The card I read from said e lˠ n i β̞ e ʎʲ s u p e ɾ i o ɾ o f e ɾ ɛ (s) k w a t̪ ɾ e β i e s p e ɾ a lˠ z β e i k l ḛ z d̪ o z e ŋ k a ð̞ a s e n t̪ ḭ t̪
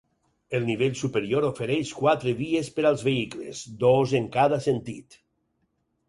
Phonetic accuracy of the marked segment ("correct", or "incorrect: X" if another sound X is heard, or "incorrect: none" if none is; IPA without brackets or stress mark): incorrect: ʃ